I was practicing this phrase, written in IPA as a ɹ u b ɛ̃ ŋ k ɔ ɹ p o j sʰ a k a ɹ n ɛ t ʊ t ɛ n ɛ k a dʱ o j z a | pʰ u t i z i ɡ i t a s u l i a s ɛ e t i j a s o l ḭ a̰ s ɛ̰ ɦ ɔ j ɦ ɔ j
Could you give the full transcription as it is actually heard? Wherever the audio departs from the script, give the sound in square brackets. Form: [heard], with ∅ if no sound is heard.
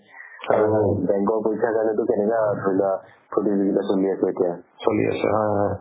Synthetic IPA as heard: a ɹ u b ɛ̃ ŋ k ɔ ɹ p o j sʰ a k a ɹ n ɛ t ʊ [k] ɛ n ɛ k a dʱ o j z a | pʰ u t i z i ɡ i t a s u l i a s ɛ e t i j a s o l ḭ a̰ s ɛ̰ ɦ ɔ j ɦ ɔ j